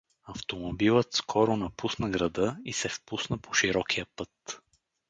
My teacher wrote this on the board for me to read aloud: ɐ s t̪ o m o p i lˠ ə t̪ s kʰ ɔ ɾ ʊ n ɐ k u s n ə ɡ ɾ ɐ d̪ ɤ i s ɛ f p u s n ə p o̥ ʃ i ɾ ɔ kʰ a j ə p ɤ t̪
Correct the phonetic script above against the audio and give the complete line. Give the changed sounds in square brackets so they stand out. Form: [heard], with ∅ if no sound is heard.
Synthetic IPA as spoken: ɐ [f] t̪ o m o [b] i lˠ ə t̪ s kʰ ɔ ɾ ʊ n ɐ [p] u s n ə ɡ ɾ ɐ d̪ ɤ i s ɛ f p u s n ə p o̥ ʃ i ɾ ɔ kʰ [i] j ə p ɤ t̪